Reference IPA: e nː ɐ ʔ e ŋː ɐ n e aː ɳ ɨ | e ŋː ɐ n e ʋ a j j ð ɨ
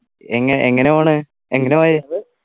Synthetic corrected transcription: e ŋː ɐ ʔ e ŋː ɐ n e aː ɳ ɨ | e ŋː ɐ n e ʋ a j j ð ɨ